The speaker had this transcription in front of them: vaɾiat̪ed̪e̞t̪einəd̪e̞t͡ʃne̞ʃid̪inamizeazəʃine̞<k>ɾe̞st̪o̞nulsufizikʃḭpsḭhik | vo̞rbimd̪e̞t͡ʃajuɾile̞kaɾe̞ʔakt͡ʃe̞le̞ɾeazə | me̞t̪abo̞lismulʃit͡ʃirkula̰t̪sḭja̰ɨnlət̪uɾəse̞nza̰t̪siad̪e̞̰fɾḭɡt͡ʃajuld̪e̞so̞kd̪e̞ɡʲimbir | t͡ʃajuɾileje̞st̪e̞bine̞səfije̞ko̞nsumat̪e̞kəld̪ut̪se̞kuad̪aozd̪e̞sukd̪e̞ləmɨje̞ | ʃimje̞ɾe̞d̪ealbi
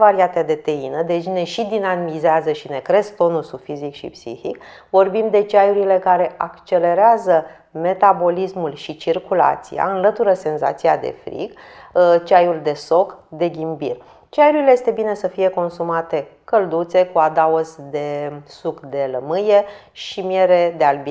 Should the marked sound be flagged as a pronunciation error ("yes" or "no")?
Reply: no